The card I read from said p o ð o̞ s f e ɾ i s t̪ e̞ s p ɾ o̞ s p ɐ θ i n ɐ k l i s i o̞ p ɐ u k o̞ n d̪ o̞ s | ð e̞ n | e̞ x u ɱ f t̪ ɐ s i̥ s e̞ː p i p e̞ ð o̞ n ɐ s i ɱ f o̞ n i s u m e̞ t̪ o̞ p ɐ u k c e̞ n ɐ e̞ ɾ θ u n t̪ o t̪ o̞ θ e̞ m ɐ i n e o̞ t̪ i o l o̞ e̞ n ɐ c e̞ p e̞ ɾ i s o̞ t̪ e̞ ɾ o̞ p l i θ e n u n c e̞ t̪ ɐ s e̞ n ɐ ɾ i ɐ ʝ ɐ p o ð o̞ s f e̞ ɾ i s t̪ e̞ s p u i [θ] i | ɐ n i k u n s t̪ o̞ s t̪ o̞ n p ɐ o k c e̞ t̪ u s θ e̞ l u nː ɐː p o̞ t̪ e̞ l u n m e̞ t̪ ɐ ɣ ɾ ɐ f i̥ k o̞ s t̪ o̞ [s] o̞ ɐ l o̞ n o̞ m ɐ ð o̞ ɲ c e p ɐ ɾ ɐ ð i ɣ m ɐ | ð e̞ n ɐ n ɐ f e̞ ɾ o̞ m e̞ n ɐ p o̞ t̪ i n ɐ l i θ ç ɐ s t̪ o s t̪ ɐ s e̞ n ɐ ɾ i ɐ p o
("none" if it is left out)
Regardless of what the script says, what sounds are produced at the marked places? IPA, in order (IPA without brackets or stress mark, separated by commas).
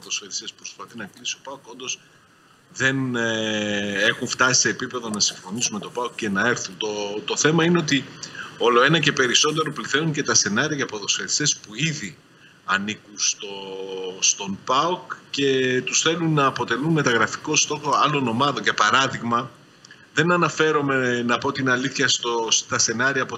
ð, x